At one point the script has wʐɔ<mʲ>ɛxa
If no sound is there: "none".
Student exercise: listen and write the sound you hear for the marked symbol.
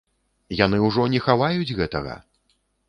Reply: nʲ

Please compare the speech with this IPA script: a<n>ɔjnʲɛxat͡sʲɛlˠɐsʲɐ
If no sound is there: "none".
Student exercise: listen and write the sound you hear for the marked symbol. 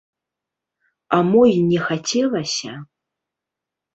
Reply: m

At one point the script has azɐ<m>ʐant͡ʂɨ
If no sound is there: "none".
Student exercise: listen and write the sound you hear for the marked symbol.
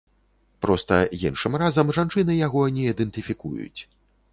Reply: m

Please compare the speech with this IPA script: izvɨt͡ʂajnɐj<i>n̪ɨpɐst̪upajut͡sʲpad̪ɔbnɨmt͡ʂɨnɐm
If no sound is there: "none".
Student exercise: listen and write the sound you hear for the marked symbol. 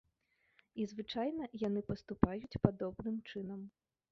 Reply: a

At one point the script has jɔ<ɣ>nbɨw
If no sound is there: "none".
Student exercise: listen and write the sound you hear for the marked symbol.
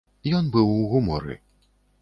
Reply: none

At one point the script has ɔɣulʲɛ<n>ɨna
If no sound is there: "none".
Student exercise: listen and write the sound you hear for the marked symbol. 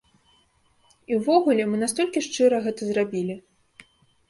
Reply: m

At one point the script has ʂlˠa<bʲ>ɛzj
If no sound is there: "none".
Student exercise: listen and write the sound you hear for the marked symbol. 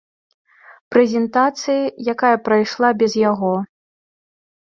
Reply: bʲ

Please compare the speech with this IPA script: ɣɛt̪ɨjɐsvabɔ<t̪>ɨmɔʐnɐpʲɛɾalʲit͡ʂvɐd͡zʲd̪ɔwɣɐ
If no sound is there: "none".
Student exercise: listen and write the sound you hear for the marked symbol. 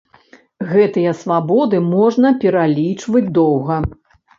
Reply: d̪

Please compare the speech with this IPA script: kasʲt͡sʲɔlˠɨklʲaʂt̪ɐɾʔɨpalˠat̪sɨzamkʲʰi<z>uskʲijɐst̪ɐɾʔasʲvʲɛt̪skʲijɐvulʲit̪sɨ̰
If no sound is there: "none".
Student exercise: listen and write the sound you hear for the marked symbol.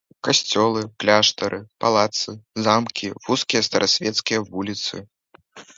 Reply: v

